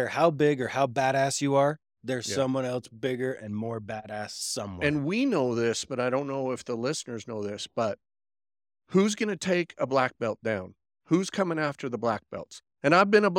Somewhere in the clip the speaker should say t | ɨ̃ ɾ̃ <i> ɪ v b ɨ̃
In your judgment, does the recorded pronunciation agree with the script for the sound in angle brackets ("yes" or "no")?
no